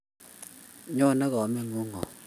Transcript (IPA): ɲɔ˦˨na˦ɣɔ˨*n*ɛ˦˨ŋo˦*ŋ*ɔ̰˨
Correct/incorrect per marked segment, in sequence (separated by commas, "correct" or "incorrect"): incorrect, correct